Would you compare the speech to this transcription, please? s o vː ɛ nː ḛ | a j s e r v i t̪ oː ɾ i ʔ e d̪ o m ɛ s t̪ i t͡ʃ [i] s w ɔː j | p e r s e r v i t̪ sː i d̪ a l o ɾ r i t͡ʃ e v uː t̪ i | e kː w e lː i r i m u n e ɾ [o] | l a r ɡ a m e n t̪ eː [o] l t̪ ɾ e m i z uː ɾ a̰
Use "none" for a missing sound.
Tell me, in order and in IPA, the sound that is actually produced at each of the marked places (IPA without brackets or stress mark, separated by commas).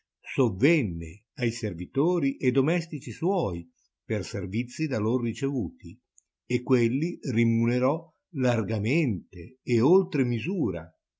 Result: i, ɔ, o